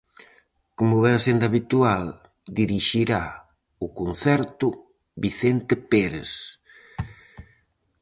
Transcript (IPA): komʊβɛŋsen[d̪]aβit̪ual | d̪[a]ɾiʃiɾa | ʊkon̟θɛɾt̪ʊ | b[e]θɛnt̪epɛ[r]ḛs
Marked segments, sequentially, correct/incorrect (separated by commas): correct, incorrect, incorrect, incorrect